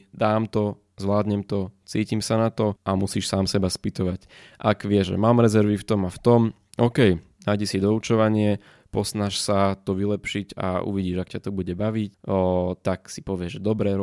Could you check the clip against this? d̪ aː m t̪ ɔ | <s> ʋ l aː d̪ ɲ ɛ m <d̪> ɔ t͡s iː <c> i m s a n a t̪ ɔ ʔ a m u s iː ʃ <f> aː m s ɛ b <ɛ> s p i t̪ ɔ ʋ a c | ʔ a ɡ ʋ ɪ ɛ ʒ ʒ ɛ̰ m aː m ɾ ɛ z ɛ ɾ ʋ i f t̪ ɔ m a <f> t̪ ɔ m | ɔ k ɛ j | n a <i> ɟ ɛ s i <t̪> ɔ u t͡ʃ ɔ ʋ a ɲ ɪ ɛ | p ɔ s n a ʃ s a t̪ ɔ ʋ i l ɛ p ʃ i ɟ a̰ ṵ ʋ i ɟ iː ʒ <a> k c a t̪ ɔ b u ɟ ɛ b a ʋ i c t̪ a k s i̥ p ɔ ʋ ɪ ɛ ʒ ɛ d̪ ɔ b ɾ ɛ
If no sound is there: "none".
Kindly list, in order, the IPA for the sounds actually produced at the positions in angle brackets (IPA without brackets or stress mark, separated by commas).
z, t̪, c, s, a, f, j, d̪, a